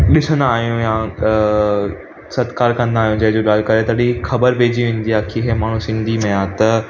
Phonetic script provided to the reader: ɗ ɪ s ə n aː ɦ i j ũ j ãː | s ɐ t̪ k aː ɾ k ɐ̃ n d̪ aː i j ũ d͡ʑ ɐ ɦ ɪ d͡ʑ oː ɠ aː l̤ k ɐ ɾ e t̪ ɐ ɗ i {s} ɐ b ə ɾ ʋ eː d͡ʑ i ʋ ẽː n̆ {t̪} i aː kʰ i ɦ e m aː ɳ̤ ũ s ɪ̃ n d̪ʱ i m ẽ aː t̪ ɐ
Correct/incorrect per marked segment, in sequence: incorrect: x, incorrect: d̪

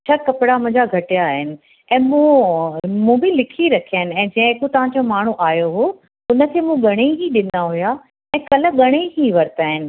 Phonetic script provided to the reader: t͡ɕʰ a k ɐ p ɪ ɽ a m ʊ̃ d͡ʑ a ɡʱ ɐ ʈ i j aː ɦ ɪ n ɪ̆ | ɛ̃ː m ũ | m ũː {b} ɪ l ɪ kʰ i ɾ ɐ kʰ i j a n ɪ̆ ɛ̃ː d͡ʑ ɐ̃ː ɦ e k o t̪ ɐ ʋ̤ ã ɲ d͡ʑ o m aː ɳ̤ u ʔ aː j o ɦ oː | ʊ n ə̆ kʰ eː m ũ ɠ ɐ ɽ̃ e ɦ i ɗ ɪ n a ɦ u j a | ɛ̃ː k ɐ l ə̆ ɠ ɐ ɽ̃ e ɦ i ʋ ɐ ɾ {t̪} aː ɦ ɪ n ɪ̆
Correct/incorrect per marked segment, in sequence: correct, correct

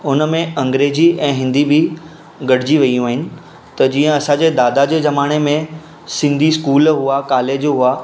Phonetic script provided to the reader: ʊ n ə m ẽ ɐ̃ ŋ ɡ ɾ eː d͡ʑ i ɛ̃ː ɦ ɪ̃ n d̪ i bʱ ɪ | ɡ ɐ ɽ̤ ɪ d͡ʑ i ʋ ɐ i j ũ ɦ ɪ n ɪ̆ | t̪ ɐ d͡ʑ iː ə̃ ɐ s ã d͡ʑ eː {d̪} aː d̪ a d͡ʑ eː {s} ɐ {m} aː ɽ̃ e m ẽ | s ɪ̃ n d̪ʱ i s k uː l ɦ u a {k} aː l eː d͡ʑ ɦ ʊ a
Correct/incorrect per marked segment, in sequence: correct, incorrect: z, correct, correct

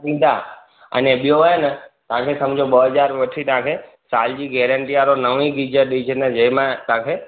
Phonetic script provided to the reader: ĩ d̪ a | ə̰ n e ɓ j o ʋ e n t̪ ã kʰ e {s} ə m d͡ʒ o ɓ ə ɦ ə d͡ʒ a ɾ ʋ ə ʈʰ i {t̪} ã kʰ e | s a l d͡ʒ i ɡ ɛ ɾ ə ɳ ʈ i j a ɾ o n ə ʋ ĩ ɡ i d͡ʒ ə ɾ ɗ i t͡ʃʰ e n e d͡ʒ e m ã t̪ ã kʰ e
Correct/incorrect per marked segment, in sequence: correct, correct

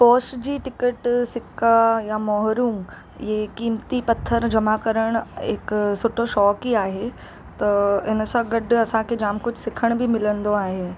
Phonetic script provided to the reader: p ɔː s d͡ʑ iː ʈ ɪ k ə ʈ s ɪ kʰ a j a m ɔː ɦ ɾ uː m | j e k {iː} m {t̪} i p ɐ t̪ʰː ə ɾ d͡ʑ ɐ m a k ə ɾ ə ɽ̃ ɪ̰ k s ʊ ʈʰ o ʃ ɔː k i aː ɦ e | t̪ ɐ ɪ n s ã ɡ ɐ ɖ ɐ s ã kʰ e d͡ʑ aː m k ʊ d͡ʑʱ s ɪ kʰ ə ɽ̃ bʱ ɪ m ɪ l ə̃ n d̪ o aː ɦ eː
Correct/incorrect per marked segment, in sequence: correct, correct

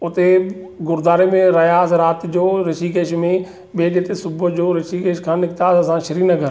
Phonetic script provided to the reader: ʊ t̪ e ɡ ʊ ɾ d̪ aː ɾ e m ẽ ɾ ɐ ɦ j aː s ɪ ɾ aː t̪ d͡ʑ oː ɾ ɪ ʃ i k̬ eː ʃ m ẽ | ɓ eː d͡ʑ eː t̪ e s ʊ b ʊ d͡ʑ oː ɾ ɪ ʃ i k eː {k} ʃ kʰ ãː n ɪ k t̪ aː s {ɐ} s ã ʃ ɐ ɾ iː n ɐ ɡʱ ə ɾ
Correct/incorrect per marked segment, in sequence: incorrect: none, correct

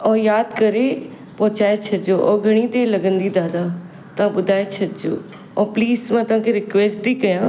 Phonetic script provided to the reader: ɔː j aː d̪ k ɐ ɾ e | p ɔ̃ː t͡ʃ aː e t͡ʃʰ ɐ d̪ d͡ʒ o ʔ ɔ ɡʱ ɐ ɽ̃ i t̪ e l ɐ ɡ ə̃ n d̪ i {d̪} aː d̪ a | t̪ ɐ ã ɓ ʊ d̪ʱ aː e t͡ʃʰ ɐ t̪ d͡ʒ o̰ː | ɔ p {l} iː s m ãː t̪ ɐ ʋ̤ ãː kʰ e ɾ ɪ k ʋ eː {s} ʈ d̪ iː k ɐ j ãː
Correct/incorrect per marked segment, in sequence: correct, correct, correct

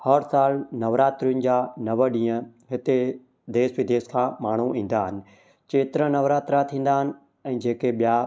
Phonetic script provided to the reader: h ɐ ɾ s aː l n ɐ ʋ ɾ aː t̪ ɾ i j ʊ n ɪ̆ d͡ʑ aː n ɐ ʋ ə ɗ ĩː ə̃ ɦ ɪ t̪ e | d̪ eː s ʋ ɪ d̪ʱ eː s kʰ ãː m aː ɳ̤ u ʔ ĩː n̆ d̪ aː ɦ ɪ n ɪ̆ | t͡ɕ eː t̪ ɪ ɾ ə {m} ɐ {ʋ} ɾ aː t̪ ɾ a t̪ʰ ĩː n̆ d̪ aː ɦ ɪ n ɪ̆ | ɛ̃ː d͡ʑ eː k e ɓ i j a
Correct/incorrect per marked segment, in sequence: incorrect: n, correct

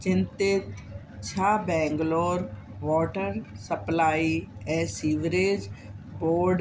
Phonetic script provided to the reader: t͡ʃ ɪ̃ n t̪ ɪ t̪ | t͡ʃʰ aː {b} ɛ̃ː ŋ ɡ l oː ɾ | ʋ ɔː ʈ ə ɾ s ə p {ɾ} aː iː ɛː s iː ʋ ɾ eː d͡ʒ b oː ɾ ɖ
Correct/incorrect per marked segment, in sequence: correct, incorrect: l

